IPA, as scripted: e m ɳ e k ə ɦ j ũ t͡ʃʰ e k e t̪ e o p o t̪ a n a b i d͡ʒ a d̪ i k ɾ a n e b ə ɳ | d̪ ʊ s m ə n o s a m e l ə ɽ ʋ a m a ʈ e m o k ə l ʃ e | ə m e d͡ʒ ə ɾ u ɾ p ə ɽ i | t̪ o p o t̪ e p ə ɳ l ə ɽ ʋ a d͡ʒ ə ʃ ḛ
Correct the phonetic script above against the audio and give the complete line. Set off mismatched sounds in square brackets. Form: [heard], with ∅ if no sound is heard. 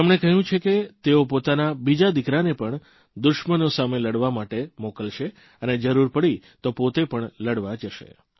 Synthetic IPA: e m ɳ e k ə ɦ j ũ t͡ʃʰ e k e t̪ e o p o t̪ a n a b i d͡ʒ a d̪ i k ɾ a n e [p] ə ɳ | d̪ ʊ [ʃ] m ə n o s a m e l ə ɽ ʋ a m a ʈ e m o k ə l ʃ e | ə [n] e d͡ʒ ə ɾ u ɾ p ə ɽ i | t̪ o p o t̪ e p ə ɳ l ə ɽ ʋ a d͡ʒ ə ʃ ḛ